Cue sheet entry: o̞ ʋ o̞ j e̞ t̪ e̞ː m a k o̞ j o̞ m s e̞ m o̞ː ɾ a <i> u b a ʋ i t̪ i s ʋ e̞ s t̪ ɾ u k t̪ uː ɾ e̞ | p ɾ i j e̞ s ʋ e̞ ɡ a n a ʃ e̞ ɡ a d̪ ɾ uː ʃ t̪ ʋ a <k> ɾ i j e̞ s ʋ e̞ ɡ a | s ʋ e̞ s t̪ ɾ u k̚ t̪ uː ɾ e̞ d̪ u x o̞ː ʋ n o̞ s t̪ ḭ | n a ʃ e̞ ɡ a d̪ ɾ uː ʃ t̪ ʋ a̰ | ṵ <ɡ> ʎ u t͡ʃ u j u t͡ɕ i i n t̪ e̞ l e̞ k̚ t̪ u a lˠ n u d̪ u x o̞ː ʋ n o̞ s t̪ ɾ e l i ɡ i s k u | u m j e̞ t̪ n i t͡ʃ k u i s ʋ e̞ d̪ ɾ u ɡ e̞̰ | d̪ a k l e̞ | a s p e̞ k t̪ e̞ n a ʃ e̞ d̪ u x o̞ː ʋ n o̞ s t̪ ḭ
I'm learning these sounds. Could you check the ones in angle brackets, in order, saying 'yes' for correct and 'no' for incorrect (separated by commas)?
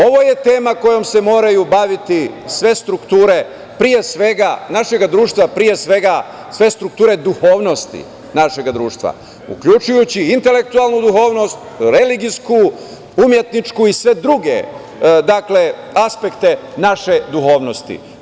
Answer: no, no, no